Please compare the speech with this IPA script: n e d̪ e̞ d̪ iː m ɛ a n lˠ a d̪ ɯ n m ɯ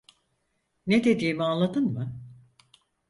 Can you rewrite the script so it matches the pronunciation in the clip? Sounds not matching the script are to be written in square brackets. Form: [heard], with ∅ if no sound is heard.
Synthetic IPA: n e d̪ e̞ d̪ iː m [i] a n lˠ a d̪ ɯ n m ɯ

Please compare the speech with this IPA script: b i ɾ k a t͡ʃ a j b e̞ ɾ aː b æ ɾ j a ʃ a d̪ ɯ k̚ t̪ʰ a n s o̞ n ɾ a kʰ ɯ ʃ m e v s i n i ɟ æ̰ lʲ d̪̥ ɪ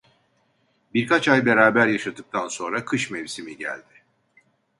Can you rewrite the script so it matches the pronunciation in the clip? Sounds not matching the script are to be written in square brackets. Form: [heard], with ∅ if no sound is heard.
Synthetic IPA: b i ɾ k a t͡ʃ a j b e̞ ɾ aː b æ ɾ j a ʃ a d̪ ɯ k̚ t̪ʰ a n s o̞ n ɾ a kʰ ɯ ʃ m e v s i [m] i ɟ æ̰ lʲ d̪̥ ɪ

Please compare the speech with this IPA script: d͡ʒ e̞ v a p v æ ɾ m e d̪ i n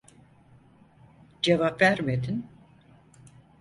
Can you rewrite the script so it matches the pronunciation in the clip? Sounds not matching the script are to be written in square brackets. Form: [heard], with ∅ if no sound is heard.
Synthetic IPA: d͡ʒ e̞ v a p v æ ɾ m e d̪ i n

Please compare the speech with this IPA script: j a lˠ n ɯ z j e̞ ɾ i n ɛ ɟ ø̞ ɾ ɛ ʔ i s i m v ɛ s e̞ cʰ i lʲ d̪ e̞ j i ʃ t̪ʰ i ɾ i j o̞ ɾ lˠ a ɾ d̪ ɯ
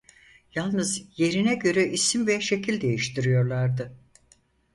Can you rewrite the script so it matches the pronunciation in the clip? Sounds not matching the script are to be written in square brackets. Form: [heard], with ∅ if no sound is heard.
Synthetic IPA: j a lˠ n ɯ z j e̞ ɾ i n ɛ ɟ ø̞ ɾ ɛ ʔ i s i m v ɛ [ʃ] e̞ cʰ i lʲ d̪ e̞ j i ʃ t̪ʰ i ɾ i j o̞ ɾ lˠ a ɾ d̪ ɯ

